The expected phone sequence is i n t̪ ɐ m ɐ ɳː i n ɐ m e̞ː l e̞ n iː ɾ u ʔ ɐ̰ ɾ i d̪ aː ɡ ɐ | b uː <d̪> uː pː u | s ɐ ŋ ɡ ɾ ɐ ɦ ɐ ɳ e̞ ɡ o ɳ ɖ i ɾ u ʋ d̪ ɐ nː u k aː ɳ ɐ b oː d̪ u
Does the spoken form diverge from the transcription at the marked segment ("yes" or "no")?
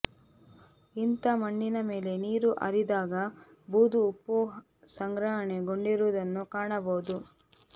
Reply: no